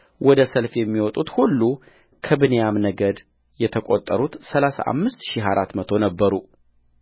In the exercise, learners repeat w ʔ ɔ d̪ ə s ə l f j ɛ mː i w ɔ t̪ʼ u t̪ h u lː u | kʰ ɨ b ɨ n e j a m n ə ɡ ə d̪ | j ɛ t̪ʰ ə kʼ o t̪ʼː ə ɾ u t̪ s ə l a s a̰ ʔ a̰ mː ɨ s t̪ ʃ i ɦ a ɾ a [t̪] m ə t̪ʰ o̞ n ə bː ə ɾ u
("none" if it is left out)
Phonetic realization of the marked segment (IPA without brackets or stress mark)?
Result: t̪